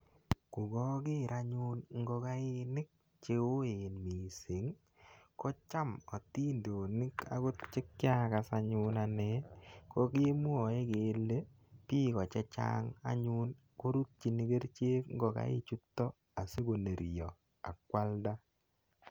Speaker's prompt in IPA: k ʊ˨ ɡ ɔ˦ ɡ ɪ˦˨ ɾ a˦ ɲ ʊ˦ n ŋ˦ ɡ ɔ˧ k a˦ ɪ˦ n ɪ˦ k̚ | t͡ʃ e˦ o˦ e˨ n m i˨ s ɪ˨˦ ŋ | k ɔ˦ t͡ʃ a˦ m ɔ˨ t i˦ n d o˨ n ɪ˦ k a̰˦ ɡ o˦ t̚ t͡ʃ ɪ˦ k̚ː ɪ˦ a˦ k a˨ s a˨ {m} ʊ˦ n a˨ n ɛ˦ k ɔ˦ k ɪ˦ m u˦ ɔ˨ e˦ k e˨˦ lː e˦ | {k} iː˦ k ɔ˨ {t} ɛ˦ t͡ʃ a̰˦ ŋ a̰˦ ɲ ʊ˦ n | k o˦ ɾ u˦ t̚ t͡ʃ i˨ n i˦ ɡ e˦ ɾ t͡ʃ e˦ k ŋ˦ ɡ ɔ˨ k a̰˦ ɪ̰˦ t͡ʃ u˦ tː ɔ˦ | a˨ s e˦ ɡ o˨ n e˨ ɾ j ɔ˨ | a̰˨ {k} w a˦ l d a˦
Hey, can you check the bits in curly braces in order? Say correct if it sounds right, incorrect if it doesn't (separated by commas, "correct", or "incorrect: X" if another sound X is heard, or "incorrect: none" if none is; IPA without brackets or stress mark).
incorrect: ɲ, incorrect: p, incorrect: t͡ʃ, correct